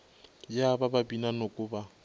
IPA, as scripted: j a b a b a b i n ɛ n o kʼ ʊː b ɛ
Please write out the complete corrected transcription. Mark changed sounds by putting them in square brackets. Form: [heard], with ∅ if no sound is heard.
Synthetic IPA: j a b a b a b i n [a] n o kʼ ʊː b [a]